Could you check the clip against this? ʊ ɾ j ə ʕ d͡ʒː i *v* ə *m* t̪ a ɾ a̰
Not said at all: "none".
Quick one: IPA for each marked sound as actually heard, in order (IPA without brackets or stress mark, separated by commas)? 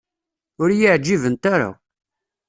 v, n